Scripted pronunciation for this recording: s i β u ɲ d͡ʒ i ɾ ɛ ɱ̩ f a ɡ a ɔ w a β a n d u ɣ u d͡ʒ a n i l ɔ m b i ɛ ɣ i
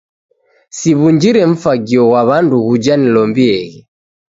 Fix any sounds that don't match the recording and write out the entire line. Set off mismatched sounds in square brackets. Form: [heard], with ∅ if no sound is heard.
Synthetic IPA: s i β u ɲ d͡ʒ i ɾ ɛ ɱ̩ f a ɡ [i] ɔ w a β a n d u ɣ u d͡ʒ a n i l ɔ m b i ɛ ɣ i